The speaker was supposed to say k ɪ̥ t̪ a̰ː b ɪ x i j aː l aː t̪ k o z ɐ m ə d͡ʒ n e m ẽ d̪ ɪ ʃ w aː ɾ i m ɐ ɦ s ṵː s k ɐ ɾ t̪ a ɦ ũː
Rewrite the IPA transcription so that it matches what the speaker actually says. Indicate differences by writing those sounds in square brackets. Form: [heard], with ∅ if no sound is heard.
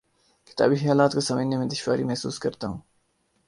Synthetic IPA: k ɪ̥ t̪ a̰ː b [i] x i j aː l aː t̪ k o [s] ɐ m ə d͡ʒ n e m ẽ d̪ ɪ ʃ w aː ɾ i m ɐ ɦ s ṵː s k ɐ ɾ t̪ a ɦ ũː